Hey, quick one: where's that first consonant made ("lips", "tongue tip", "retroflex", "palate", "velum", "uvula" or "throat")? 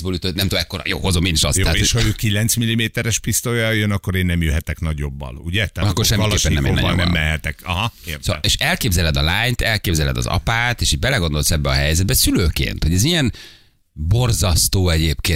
lips